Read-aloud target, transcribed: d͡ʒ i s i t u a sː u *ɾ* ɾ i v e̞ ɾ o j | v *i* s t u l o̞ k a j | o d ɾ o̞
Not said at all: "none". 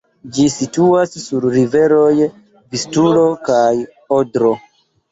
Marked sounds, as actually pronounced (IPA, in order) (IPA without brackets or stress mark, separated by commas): ɾ, i